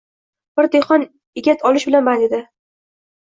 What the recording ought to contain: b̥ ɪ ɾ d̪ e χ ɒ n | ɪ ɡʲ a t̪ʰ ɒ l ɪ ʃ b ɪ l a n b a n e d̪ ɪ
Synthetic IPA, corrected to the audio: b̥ ɪ ɾ d̪ e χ ɒ n | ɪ ɡʲ a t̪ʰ ɒ l ɪ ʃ b ɪ l a n b a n e d̪ ɪ